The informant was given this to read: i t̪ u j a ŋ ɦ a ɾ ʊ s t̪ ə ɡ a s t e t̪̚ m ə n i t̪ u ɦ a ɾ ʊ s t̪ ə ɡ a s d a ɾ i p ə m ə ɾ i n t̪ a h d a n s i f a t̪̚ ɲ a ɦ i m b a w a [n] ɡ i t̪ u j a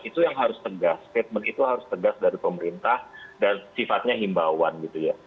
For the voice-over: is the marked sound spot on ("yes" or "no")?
yes